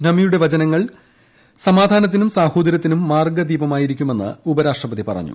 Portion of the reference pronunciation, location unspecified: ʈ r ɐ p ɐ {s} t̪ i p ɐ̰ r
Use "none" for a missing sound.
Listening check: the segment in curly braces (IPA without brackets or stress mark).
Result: none